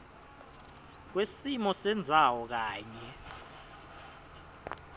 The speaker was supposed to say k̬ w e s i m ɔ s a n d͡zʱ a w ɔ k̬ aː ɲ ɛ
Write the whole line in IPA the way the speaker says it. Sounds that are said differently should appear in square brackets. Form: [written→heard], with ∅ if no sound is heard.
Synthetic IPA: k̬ w e s i m ɔ s [a→ɛ] n d͡zʱ a w ɔ k̬ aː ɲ ɛ